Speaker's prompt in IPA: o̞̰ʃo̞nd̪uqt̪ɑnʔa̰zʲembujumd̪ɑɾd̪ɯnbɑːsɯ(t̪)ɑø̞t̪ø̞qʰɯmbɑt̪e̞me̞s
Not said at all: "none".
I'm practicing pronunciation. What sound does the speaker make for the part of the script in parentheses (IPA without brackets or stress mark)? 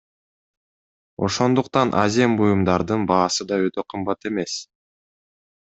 d̪